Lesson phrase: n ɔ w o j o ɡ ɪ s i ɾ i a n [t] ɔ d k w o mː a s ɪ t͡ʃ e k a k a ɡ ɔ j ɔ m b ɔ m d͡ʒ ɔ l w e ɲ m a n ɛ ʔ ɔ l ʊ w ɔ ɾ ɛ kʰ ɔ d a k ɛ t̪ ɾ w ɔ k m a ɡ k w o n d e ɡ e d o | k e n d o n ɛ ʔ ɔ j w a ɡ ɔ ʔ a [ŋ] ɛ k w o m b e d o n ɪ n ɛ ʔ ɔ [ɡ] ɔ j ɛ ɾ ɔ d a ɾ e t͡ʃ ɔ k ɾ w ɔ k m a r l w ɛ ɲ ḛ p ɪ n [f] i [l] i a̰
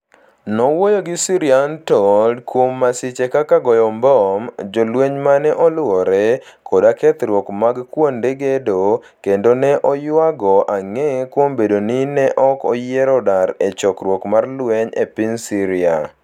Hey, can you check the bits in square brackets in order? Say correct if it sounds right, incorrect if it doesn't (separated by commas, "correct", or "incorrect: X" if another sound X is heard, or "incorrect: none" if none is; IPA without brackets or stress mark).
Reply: correct, correct, incorrect: k, incorrect: s, incorrect: ɾ